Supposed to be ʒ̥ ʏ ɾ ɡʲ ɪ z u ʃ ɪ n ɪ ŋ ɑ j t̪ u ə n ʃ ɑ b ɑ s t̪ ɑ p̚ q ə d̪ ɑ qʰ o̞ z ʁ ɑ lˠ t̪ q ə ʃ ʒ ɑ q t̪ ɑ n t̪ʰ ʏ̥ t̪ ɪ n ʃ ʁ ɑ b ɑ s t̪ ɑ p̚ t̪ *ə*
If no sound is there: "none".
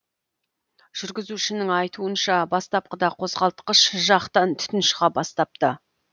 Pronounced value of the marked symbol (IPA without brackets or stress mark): ə